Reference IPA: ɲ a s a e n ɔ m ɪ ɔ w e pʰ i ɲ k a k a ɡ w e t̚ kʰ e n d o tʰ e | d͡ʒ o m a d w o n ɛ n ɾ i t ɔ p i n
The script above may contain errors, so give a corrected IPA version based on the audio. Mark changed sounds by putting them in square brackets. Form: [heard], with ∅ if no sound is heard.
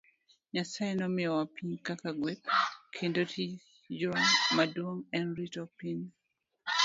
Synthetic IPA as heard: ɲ a s a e n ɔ m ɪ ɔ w [a] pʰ i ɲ k a k a ɡ w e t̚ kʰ e n d o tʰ [i] | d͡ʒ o m a d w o [ŋ] ɛ n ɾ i t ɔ p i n